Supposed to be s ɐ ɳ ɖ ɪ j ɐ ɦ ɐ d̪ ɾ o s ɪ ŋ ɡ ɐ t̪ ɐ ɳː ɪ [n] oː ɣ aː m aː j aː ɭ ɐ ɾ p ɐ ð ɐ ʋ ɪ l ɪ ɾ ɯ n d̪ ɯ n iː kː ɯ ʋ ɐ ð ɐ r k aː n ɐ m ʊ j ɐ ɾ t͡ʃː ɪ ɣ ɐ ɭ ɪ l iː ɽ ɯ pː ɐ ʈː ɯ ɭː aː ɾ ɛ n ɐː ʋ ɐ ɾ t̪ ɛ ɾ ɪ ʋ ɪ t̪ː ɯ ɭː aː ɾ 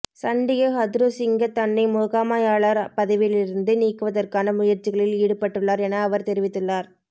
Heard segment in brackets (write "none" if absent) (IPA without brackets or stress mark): m